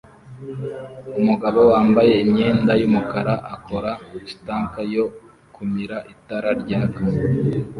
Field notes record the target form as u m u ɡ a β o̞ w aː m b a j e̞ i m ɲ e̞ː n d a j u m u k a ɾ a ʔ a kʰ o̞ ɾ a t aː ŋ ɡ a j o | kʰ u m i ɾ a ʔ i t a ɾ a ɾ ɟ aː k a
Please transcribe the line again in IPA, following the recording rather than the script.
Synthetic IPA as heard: u m u ɡ a β o̞ w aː m b a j e̞ i m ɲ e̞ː n d a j u m u k a ɾ a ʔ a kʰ o̞ ɾ a t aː ŋ k a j o | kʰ u m i ɾ a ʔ i t a ɾ a ɾ ɟ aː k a